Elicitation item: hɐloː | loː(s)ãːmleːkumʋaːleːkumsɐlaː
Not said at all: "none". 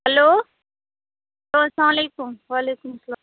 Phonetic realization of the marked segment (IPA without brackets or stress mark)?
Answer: s